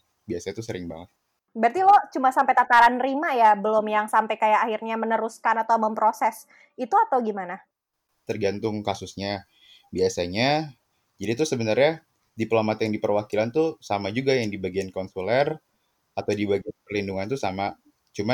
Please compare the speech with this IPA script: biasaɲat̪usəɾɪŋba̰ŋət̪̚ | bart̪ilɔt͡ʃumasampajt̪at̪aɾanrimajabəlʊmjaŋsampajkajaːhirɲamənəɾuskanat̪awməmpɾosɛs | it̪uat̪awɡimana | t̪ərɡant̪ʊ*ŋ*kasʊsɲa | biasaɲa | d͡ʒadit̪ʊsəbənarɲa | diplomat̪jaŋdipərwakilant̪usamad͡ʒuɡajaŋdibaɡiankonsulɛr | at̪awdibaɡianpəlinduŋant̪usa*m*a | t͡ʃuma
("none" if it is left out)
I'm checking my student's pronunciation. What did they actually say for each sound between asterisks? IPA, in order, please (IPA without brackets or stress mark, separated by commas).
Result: ŋ, m